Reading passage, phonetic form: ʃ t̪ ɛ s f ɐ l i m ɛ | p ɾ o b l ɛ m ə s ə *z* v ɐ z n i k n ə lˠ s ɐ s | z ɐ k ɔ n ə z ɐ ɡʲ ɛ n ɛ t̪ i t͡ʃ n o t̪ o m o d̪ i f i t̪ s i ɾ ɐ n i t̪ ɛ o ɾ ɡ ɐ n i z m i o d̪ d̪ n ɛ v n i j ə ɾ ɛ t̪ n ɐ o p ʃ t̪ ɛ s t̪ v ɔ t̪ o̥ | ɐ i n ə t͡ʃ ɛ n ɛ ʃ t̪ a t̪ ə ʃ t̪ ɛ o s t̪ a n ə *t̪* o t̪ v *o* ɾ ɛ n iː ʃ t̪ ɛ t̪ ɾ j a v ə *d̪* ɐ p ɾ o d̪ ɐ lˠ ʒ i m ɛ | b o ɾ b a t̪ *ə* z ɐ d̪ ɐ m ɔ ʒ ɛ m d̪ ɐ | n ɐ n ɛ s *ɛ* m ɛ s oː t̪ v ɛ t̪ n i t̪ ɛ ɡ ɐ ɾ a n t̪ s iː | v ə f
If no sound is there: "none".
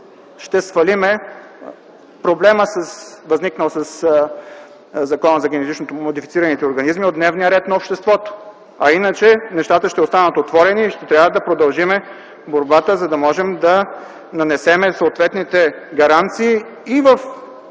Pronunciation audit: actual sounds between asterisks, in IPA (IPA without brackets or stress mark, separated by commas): s, t̪, ɔ, d̪, ə, ɛ